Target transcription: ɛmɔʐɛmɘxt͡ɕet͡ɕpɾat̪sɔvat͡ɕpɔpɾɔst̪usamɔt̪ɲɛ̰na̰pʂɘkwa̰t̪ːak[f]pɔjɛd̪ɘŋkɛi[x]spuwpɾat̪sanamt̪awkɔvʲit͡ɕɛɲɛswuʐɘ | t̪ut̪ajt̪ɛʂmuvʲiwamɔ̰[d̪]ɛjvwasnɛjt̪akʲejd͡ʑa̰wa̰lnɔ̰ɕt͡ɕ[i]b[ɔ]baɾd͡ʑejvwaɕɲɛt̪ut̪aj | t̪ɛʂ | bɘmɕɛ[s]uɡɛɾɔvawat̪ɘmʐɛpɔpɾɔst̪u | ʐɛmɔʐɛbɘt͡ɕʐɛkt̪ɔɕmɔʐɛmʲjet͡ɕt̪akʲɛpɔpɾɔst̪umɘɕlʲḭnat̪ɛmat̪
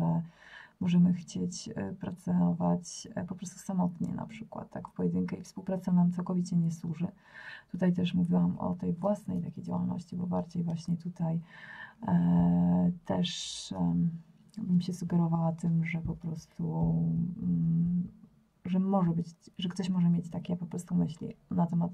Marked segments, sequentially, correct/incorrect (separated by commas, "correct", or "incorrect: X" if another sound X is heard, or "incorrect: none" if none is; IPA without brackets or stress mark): correct, incorrect: f, incorrect: t̪, correct, correct, correct